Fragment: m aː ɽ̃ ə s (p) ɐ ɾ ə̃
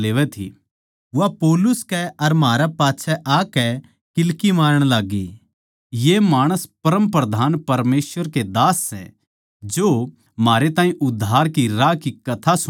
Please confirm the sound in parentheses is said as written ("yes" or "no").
yes